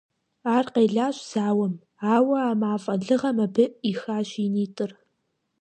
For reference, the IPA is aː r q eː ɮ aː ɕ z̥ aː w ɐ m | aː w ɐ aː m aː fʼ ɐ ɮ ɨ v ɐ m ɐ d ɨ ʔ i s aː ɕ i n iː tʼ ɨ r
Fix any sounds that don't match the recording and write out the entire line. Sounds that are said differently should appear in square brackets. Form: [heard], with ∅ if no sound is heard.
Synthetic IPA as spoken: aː r q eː ɮ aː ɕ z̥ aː w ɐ m | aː w ɐ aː m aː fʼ ɐ ɮ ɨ [ʁ] ɐ m ɐ [b] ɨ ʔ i [x] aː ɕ i n iː tʼ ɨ r